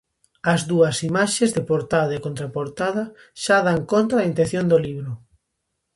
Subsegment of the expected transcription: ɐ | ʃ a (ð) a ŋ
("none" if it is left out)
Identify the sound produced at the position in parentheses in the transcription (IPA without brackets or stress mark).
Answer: ð